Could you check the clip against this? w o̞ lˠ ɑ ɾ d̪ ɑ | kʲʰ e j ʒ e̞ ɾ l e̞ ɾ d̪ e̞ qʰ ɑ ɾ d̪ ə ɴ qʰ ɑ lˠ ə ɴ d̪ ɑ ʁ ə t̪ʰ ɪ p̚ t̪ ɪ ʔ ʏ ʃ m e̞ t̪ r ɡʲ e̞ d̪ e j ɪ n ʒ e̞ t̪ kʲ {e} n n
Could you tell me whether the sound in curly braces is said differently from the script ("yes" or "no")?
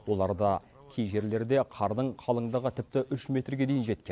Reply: no